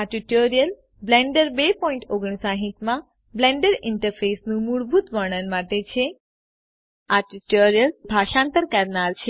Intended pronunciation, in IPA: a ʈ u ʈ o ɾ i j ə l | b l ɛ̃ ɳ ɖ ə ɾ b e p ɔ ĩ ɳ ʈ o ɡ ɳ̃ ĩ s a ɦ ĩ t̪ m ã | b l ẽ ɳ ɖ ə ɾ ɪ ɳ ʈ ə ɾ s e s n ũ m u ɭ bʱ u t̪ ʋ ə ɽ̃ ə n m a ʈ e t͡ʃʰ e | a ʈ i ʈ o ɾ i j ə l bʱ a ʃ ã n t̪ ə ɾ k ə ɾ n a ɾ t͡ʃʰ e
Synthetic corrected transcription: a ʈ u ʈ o ɾ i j ə l | b l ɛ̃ ɳ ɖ ə ɾ b e p ɔ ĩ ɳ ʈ o ɡ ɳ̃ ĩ s a ɦ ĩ t̪ m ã | b l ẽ ɳ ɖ ə ɾ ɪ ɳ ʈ ə ɾ f e s n ũ m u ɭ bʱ u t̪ ʋ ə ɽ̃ ə n m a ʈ e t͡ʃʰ e | a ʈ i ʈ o ɾ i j ə l bʱ a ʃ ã n t̪ ə ɾ k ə ɾ n a ɾ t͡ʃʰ e